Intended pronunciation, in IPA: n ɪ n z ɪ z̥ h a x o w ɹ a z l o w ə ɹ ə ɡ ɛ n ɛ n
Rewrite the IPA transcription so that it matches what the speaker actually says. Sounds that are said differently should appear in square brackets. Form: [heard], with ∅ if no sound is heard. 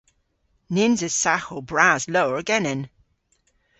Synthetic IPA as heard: n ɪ n z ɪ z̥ [s] a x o [b] ɹ a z l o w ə ɹ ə ɡ ɛ n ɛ n